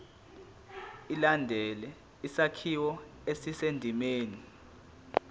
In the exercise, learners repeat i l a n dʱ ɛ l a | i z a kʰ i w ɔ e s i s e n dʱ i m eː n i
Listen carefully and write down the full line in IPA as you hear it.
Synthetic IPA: i l a n dʱ ɛ l ɛ | i s a kʰ i w ɔ e s i s e n dʱ i m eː n i